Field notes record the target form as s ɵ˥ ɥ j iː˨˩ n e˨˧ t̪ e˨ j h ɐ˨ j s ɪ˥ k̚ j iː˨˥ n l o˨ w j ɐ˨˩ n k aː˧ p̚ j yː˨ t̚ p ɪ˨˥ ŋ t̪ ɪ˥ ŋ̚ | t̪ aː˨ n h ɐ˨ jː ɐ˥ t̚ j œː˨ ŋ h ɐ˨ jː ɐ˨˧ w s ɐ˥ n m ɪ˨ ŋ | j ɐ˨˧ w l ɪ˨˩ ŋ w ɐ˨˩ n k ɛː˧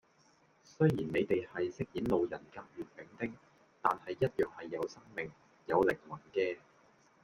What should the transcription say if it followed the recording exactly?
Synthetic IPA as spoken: s ɵ˥ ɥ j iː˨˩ n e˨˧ t̪ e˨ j h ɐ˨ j s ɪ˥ k̚ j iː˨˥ n l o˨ w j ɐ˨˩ n k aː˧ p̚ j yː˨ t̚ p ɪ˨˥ ŋ t̪ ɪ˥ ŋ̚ | t̪ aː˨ n h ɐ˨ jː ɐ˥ t̚ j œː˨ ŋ h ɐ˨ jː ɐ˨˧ w s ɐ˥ ŋ m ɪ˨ ŋ | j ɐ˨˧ w l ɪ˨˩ ŋ w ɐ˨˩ n k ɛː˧